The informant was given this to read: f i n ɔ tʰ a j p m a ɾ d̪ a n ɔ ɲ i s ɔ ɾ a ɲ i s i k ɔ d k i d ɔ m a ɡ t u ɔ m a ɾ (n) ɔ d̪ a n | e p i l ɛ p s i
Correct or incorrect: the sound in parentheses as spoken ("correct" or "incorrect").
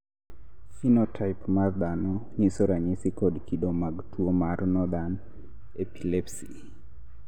correct